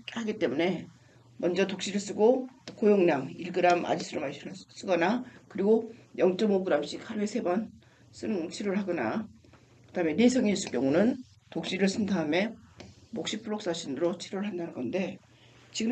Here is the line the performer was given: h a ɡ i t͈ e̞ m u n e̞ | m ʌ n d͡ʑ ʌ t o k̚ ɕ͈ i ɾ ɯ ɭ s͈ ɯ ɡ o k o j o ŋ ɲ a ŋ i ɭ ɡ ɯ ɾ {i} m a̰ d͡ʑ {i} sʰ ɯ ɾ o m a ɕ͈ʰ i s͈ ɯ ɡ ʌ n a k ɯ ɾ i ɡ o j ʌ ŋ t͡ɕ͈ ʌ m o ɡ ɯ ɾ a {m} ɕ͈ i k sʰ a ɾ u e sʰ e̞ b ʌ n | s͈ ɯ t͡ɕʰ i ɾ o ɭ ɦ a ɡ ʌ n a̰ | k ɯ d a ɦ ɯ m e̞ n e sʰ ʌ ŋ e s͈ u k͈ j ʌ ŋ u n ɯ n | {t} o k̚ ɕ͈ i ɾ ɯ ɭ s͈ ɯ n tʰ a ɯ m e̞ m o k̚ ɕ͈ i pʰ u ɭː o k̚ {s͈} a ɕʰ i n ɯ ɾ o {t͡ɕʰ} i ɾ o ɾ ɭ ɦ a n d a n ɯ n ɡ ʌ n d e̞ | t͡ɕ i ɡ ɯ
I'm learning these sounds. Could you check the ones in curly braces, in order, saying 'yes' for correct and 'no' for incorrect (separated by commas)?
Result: no, yes, yes, yes, yes, yes